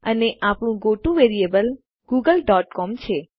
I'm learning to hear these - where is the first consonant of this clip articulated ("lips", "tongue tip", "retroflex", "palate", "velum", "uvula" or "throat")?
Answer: tongue tip